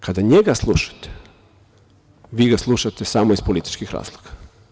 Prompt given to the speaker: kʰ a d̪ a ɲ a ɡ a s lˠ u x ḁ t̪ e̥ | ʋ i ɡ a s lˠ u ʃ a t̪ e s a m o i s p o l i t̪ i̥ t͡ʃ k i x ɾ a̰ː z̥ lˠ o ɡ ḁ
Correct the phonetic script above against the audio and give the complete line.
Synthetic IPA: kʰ a d̪ a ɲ e ɡ a s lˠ u ʃ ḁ t̪ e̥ | ʋ i ɡ a s lˠ u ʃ a t̪ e s a m o i s p o l i t̪ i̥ t͡ʃ k i x ɾ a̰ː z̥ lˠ o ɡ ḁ

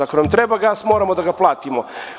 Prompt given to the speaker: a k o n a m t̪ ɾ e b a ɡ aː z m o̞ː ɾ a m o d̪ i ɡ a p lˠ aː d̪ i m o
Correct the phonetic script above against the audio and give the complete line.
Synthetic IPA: a k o n a m t̪ ɾ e b a ɡ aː s m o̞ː ɾ a m o d̪ a ɡ a p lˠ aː t̪ i m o

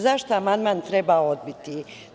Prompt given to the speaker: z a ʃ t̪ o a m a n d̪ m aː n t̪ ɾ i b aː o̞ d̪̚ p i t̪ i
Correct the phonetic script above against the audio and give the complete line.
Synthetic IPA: z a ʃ t̪ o a m a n d̪ m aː n t̪ ɾ e b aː o̞ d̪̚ b i t̪ i

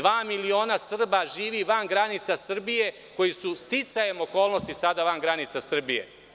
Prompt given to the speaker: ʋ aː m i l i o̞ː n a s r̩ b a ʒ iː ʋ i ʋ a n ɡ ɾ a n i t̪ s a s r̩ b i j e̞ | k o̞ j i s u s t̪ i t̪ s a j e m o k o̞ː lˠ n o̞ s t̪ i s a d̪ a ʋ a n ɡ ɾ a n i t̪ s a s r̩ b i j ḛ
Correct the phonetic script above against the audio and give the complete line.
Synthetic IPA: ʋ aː m i l i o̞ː n a s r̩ b a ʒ iː ʋ i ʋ a n ɡ ɾ a n i t̪ s a s r̩ b i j e̞ | k o̞ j i s u s t̪ i t̪ s a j e m o k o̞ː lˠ n o̞ s t̪ i s a d̪ a ʋ a n ɡ ɾ a n i t̪ s a s r̩ b i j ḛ

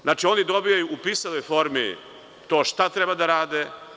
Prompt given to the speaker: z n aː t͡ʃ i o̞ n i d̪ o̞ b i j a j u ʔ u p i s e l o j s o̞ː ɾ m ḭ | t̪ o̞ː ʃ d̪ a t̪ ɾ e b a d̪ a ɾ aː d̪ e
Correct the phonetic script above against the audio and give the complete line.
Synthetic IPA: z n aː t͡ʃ i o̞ n i d̪ o̞ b i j a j u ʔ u p i s a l o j f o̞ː ɾ m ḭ | t̪ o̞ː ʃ t̪ a t̪ ɾ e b a d̪ a ɾ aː d̪ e

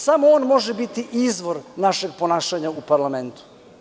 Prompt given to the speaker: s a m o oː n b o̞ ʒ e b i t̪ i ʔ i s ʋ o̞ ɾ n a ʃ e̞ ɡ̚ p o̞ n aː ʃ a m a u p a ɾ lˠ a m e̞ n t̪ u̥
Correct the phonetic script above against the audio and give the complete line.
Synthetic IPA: s a m o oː n m o̞ ʒ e b i t̪ i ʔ i z ʋ o̞ ɾ n a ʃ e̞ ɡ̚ p o̞ n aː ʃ a ɲ a u p a ɾ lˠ a m e̞ n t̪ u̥

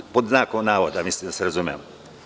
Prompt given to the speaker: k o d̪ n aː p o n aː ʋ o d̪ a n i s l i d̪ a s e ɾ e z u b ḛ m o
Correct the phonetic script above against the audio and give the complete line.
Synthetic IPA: p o d̪ n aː k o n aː ʋ o d̪ a m i s l i d̪ a s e ɾ a z u m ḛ m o

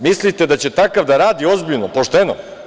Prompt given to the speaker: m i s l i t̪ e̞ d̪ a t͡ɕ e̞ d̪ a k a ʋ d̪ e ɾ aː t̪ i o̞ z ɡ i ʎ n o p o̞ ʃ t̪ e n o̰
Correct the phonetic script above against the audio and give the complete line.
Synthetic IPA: m i s l i t̪ e̞ d̪ a t͡ɕ e̞ t̪ a k a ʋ d̪ a ɾ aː d̪ i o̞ z b i ʎ n o p o̞ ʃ t̪ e n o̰

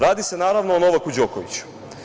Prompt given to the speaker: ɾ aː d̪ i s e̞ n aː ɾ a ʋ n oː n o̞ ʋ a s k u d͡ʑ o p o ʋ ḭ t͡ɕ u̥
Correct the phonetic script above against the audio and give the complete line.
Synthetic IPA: ɾ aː d̪ i s e̞ n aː ɾ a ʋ n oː n o̞ ʋ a k u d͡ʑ o k o ʋ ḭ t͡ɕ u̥

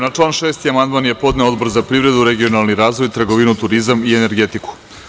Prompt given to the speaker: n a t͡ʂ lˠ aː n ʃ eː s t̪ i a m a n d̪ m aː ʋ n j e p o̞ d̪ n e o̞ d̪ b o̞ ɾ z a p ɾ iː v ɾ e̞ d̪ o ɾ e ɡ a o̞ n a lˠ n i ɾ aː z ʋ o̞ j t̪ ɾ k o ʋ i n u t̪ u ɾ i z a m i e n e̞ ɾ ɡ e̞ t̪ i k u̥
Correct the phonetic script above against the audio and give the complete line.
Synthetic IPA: n a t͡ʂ lˠ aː n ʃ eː s t̪ i a m a n d̪ m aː n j e p o̞ d̪ n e o̞ d̪ b o̞ ɾ z a p ɾ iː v ɾ e̞ d̪ u ɾ e ɡ i o̞ n a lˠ n i ɾ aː z ʋ o̞ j t̪ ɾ ɡ o ʋ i n u t̪ u ɾ i z a m i e n e̞ ɾ ɡ e̞ t̪ i k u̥

